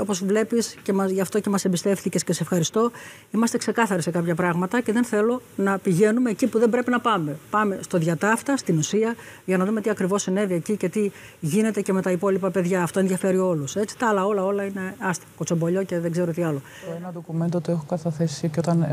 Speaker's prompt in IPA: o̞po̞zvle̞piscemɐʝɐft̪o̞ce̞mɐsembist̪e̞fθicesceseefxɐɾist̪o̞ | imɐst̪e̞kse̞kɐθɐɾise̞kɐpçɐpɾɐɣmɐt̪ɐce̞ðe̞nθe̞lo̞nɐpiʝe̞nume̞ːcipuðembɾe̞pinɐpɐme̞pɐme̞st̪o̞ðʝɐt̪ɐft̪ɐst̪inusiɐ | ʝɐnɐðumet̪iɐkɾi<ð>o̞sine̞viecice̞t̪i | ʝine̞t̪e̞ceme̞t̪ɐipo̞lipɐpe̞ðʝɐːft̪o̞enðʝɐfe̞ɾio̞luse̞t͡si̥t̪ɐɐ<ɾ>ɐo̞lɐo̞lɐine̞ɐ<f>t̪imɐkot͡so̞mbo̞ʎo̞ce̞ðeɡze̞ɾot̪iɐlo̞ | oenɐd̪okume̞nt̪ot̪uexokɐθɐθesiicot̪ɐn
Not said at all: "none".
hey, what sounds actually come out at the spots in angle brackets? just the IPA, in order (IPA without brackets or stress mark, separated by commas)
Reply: v, l, s